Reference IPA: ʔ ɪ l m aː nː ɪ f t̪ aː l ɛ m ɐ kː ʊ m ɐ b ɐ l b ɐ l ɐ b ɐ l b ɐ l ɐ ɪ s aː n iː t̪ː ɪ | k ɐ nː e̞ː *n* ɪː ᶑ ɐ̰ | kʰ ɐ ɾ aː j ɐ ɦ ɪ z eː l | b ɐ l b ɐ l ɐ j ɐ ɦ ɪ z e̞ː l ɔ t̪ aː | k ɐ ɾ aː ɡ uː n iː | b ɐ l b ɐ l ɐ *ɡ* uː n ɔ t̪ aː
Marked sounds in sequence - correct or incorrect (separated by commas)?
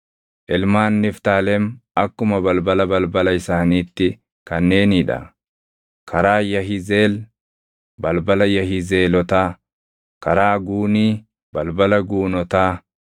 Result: correct, correct